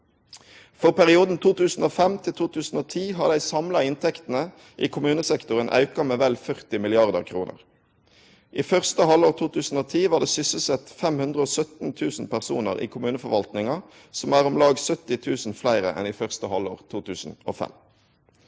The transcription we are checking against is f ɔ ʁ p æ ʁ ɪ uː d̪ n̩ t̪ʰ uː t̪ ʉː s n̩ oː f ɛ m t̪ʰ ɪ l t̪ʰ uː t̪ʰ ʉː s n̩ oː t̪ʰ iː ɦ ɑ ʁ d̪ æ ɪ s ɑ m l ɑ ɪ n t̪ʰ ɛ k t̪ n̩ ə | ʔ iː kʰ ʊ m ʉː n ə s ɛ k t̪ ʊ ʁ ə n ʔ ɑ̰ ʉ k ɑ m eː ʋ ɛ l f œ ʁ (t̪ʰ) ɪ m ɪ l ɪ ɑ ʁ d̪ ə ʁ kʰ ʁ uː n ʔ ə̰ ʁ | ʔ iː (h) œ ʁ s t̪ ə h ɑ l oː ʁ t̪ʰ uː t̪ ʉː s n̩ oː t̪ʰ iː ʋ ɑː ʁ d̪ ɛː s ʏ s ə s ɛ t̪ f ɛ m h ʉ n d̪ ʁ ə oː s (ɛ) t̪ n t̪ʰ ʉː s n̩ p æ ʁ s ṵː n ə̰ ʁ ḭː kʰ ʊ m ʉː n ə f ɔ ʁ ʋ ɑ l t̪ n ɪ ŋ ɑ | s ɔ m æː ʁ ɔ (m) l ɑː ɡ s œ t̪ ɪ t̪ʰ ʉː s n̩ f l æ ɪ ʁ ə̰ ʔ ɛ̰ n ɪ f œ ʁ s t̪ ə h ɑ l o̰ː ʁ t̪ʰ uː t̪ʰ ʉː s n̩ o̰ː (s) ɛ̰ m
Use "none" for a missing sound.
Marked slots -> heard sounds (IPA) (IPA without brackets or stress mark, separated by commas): t̪, f, œ, m, f